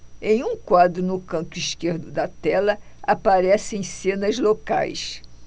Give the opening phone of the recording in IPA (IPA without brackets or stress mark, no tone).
ẽ